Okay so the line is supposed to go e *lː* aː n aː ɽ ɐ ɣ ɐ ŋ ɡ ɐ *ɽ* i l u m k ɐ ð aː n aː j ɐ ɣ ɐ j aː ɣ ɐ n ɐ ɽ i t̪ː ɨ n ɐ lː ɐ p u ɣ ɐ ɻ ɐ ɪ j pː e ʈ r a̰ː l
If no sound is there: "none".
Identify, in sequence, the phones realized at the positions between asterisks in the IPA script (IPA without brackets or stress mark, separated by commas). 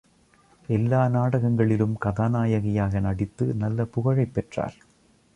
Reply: lː, ɭ